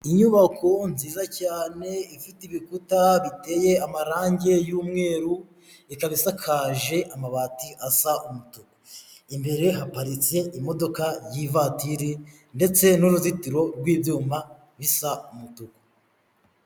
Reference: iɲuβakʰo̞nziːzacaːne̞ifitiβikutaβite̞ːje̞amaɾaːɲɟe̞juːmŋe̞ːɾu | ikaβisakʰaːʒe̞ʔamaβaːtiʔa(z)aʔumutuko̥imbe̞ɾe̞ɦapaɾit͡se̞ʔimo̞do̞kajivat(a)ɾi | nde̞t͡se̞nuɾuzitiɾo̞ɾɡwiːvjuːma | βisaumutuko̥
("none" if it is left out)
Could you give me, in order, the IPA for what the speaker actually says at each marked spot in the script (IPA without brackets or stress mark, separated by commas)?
s, i